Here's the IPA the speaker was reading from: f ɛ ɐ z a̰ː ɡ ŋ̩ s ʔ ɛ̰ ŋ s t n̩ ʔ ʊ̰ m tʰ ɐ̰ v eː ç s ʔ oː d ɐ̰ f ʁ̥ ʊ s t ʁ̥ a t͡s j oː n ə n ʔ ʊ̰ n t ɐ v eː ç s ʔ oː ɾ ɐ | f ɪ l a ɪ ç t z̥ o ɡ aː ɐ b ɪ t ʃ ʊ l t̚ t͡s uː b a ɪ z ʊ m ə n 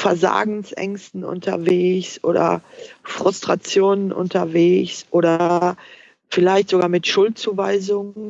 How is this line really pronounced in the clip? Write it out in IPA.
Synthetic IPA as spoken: f ɛ ɐ z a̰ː ɡ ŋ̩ s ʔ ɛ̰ ŋ s t n̩ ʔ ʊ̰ n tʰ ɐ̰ v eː ç s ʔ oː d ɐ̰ f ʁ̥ ʊ s t ʁ̥ a t͡s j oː n ə n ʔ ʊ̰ n t ɐ v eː ç s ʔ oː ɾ ɐ | f ɪ l a ɪ ç t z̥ o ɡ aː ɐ m ɪ t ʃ ʊ l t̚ t͡s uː v a ɪ z ʊ ŋ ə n